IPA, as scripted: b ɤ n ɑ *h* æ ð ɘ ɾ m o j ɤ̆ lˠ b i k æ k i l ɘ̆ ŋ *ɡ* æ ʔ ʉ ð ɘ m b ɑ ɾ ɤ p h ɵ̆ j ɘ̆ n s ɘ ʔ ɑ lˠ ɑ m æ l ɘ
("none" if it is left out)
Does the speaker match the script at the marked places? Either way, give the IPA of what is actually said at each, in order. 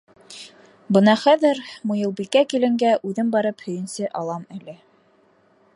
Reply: χ, ɡ

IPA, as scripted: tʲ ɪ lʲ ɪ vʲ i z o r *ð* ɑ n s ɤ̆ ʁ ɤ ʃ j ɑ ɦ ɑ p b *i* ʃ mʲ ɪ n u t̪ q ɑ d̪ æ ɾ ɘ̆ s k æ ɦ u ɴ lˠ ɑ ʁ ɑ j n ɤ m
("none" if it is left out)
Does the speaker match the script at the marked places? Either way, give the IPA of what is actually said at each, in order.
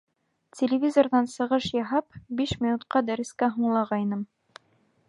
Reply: ð, i

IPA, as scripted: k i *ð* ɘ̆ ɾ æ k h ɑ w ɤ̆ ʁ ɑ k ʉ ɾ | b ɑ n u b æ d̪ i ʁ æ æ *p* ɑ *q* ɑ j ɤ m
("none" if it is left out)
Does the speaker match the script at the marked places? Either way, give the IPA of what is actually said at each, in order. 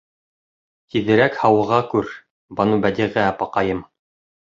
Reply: ð, p, q

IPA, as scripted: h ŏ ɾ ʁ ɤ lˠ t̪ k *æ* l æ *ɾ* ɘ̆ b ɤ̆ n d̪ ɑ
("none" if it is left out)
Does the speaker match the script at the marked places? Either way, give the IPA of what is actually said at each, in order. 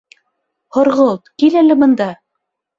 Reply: i, l

